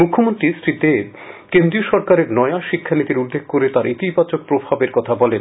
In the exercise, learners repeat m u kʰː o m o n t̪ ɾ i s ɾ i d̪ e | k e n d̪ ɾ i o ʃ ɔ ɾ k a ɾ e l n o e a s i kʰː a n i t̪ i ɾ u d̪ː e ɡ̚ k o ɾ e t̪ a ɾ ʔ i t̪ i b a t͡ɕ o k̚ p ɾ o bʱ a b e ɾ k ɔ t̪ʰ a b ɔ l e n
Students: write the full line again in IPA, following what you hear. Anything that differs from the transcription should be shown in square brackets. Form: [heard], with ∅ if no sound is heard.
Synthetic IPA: m u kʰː o m o n t̪ ɾ i s ɾ i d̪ e | k e n d̪ ɾ i o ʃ ɔ ɾ k a ɾ e [ɾ] n [ɔ] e a [ʃ] i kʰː a n i t̪ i ɾ u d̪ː e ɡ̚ k o ɾ e t̪ a ɾ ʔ i t̪ i b a t͡ɕ o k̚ p ɾ o bʱ a b e ɾ k ɔ t̪ʰ a b ɔ l e n